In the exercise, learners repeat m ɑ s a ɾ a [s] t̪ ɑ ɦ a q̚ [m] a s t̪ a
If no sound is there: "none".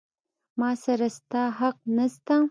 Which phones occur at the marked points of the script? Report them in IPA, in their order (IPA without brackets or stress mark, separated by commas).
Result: s, n